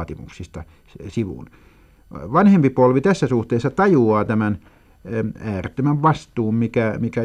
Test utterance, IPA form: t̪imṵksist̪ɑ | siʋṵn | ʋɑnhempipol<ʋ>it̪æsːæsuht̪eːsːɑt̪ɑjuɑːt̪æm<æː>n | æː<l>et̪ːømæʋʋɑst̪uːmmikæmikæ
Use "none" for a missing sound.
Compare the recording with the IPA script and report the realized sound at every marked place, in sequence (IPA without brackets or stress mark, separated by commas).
ʋ, æ, r